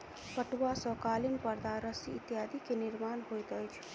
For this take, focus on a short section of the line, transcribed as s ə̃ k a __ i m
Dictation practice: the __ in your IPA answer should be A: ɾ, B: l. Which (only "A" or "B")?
B